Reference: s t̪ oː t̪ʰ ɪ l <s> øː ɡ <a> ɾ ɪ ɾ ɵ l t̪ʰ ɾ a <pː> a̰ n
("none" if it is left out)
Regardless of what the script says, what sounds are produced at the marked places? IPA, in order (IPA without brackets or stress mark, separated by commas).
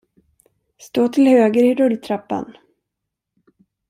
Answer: h, ə, pː